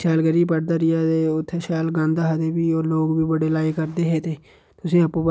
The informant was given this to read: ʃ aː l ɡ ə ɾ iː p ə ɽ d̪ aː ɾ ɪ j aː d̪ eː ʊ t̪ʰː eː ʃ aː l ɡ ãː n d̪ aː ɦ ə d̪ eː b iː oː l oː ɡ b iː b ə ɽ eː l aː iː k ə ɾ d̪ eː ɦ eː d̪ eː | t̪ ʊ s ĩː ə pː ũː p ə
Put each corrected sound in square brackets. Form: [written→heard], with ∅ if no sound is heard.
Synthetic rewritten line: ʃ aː l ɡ ə ɾ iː p ə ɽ d̪ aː ɾ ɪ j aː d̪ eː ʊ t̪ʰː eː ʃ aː l ɡ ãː n d̪ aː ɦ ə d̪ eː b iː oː l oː ɡ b iː b ə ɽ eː l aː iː k ə ɾ d̪ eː ɦ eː [d̪→t̪] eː | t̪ ʊ s ĩː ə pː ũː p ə